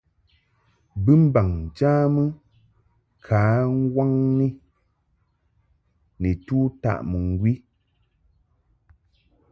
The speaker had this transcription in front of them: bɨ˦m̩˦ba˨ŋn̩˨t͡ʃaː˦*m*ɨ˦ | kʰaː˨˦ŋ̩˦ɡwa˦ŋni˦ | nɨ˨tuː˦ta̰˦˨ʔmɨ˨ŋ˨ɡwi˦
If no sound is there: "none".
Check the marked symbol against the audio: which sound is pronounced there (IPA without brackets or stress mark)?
m